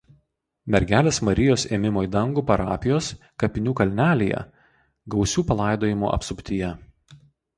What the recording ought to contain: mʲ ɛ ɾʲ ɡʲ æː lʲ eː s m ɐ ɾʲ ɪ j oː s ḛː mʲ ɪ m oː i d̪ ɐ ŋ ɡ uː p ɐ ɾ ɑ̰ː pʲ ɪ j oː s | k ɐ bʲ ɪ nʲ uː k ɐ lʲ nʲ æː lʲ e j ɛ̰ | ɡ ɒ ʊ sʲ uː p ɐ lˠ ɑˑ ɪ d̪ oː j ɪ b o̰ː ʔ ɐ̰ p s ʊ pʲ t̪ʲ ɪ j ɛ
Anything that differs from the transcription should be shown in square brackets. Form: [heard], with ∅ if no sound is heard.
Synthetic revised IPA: mʲ ɛ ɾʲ ɡʲ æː lʲ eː s m ɐ ɾʲ ɪ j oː s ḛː mʲ ɪ m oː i d̪ ɐ ŋ ɡ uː p ɐ ɾ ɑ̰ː pʲ ɪ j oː s | k ɐ [pʲ] ɪ nʲ uː k ɐ lʲ nʲ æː lʲ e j ɛ̰ | ɡ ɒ ʊ sʲ uː p ɐ lˠ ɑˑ ɪ d̪ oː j ɪ [m] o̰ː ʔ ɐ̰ p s ʊ pʲ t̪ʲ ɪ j ɛ

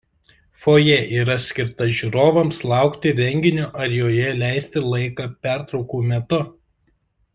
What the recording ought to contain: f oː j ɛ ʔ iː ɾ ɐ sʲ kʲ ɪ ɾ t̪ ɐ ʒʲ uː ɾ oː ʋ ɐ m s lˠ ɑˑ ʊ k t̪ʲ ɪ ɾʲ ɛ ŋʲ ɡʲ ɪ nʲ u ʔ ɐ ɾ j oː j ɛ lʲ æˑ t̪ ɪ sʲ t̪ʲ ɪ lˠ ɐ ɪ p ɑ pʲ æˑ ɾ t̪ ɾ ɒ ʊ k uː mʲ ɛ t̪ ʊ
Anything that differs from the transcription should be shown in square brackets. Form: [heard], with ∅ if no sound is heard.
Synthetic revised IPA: f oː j ɛ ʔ iː ɾ ɐ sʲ kʲ ɪ ɾ t̪ ɐ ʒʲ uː ɾ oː ʋ ɐ m s lˠ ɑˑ ʊ k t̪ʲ ɪ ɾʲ ɛ ŋʲ ɡʲ ɪ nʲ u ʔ ɐ ɾ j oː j ɛ lʲ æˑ [∅] ɪ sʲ t̪ʲ ɪ lˠ ɐ ɪ [k] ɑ pʲ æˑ ɾ t̪ ɾ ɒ ʊ k uː mʲ ɛ t̪ ʊ

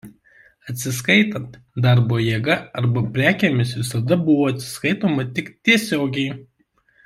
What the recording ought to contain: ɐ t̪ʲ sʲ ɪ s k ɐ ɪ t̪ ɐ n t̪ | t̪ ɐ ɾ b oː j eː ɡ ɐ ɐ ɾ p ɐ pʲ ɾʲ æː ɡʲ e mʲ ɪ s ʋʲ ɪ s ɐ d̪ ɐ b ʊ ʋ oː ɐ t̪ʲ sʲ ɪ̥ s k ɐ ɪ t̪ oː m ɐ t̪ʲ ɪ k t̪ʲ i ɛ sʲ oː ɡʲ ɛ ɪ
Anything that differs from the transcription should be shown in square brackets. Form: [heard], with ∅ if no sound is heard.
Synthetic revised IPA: ɐ t̪ʲ sʲ ɪ s k ɐ ɪ t̪ ɐ n t̪ | [d̪] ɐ ɾ b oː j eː ɡ ɐ ɐ ɾ [b] ɐ pʲ ɾʲ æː [kʲ] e mʲ ɪ s ʋʲ ɪ s ɐ d̪ ɐ b ʊ ʋ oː ɐ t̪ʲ sʲ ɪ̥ s k ɐ ɪ t̪ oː m ɐ t̪ʲ ɪ k t̪ʲ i ɛ sʲ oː ɡʲ ɛ ɪ

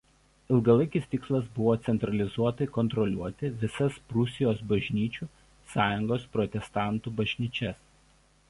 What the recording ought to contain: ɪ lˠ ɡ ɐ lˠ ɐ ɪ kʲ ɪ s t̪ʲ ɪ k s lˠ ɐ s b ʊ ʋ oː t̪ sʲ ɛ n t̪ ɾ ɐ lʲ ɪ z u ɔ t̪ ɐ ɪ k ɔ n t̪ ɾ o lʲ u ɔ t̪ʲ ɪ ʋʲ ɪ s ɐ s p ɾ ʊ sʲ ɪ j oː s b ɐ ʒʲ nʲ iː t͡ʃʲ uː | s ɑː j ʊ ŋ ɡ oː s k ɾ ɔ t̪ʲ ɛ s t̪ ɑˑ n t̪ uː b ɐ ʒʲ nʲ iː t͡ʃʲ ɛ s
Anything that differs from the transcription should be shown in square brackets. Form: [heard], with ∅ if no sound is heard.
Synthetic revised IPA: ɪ lˠ ɡ ɐ lˠ ɐ ɪ kʲ ɪ s t̪ʲ ɪ k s lˠ ɐ s b ʊ ʋ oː t̪ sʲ ɛ n t̪ ɾ ɐ lʲ ɪ z u ɔ t̪ ɐ ɪ k ɔ n t̪ ɾ [ɔ] lʲ u ɔ t̪ʲ ɪ ʋʲ ɪ s ɐ s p ɾ ʊ sʲ ɪ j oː s b ɐ ʒʲ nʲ iː t͡ʃʲ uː | s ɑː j ʊ ŋ ɡ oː s [p] ɾ ɔ t̪ʲ ɛ s t̪ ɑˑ n t̪ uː b ɐ ʒʲ nʲ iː t͡ʃʲ ɛ s

